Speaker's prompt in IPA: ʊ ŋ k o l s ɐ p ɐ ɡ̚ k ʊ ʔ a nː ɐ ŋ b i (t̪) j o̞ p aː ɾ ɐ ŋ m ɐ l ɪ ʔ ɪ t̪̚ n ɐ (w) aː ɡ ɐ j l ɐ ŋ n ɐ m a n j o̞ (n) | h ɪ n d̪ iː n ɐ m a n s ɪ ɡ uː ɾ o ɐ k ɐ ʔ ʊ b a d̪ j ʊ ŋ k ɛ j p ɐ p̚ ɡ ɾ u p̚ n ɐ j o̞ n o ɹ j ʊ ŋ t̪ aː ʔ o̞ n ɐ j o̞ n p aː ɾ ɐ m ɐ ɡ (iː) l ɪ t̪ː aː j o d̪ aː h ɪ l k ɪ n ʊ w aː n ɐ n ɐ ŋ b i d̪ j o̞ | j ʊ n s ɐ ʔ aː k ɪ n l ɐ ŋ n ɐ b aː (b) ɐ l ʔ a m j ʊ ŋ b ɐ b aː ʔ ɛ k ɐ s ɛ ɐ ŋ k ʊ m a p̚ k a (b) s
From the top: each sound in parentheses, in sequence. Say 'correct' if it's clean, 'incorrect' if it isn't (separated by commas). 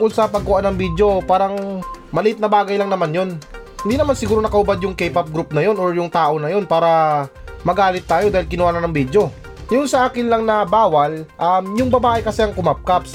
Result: incorrect, incorrect, correct, incorrect, incorrect, incorrect